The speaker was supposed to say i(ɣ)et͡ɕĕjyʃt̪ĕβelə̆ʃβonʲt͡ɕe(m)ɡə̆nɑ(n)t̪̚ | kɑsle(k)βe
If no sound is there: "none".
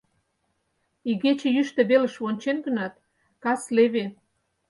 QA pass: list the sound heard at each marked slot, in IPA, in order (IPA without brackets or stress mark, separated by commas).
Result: ɣ, n, none, none